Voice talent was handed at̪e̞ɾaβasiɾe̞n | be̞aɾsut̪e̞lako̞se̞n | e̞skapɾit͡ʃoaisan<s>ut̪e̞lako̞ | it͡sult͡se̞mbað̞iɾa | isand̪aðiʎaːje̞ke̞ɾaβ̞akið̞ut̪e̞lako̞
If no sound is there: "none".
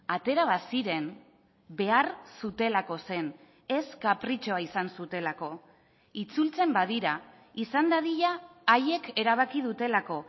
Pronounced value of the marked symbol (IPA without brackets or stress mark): s